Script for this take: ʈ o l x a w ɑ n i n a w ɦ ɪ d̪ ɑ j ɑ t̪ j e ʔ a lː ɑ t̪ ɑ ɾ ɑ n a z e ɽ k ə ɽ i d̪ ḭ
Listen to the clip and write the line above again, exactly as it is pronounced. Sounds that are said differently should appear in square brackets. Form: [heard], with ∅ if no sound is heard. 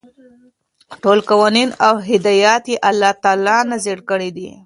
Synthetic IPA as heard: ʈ o l [k] a w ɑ n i n a w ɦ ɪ d̪ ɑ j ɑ t̪ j e ʔ a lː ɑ t̪ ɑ [l] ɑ n a z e ɽ k ə ɽ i d̪ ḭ